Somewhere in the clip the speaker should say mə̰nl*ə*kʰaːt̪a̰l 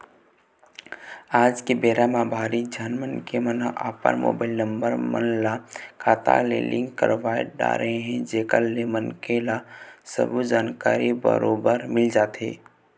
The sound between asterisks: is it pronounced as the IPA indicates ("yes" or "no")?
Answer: no